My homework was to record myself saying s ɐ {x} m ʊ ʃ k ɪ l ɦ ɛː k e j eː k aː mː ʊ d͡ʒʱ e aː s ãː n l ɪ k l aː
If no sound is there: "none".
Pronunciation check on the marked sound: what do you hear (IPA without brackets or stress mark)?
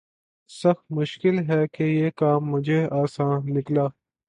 x